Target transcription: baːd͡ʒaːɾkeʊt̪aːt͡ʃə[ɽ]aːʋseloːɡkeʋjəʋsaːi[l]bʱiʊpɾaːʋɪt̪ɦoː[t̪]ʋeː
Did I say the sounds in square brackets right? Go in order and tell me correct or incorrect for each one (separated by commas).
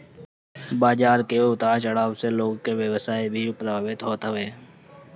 correct, incorrect, correct